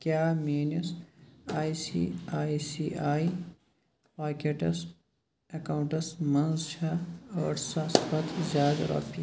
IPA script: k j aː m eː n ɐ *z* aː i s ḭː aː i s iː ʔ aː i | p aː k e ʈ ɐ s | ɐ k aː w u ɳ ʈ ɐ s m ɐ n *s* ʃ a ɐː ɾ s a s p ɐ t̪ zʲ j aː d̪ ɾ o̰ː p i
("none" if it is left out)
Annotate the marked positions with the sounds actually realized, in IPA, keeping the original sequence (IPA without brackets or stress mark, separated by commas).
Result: s, z